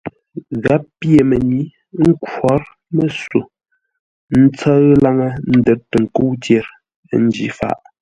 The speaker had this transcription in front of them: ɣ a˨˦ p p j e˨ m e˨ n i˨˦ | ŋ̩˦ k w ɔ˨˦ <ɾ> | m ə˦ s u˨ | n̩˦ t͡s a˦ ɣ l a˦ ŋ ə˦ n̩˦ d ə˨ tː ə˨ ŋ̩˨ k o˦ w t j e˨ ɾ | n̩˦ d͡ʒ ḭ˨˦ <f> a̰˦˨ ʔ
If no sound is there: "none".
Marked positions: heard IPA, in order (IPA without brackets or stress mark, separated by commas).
ɾ, f